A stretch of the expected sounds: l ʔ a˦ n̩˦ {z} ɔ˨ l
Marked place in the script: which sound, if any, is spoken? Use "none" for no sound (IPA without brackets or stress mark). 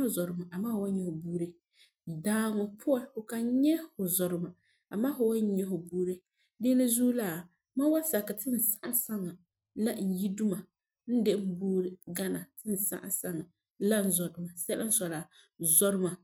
s